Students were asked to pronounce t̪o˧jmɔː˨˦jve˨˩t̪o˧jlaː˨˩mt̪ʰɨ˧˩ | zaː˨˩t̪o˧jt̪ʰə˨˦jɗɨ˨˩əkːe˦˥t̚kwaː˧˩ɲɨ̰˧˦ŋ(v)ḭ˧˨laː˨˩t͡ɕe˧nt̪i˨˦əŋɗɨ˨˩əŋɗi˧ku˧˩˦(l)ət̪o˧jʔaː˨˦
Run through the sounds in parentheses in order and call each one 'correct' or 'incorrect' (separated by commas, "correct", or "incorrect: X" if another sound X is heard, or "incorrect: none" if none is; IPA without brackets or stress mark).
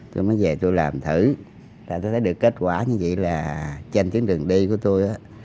correct, incorrect: none